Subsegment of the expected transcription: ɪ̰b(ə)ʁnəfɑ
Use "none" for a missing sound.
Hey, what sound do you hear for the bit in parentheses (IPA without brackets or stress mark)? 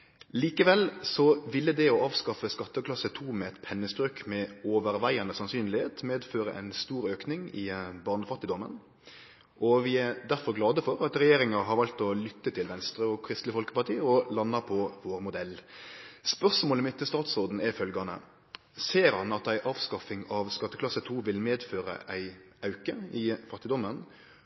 ɑ